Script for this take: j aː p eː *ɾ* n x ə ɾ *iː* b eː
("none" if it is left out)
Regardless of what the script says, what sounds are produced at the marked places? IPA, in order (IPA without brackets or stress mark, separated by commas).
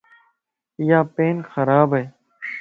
none, aː